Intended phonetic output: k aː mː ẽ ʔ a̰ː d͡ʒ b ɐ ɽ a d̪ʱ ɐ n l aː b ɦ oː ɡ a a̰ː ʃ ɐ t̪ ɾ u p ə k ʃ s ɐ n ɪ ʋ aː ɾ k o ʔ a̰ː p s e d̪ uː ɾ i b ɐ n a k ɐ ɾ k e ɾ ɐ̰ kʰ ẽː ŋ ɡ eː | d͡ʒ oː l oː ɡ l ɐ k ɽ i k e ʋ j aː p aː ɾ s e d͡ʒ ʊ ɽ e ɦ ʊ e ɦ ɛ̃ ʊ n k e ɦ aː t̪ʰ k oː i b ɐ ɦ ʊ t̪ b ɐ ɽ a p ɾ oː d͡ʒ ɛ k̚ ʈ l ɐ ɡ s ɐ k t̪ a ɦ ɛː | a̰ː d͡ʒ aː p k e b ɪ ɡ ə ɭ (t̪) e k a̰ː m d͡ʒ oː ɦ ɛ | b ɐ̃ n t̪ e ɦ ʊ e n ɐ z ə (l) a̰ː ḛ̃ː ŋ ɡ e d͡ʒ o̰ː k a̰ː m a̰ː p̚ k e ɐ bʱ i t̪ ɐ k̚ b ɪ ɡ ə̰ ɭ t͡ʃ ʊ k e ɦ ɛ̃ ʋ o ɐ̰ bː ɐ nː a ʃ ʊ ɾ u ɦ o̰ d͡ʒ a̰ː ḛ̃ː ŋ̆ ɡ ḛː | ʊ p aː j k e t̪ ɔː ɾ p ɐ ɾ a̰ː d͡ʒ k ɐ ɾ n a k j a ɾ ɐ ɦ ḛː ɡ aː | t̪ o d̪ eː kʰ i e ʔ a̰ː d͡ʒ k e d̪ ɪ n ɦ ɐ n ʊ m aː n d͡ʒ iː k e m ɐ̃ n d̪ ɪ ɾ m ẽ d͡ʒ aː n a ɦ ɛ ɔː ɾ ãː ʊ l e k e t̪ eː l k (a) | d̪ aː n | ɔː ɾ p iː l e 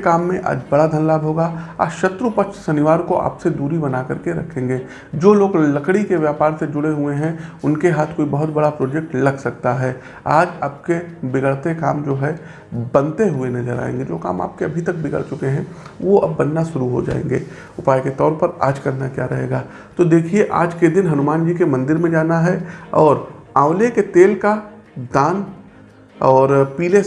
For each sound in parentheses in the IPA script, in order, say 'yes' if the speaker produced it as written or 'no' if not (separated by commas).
yes, no, yes